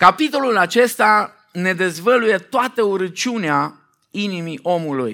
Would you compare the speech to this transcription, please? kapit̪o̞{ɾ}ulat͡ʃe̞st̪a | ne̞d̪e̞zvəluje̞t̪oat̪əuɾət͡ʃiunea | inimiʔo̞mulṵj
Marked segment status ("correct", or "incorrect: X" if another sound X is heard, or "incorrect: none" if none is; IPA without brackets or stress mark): incorrect: l